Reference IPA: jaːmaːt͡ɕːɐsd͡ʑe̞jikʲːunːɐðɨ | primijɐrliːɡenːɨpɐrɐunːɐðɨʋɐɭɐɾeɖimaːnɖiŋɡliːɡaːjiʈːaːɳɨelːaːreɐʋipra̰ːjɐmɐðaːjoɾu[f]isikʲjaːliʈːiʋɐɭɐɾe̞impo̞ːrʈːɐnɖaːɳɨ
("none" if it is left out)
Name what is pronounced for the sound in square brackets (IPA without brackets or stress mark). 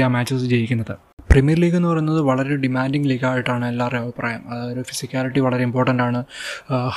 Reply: f